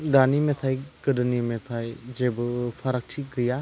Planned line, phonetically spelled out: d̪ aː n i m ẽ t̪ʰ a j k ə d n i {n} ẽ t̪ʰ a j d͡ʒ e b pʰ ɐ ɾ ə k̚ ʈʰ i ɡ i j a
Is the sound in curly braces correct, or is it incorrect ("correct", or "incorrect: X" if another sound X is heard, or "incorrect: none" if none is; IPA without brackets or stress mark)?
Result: incorrect: m